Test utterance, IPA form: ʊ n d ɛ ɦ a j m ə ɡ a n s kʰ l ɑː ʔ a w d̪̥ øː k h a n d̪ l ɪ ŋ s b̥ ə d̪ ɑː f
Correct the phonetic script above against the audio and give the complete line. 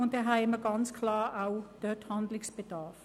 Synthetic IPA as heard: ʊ n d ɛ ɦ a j m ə ɡ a n s kʰ l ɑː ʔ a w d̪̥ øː t h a n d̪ l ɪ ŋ s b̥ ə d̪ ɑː f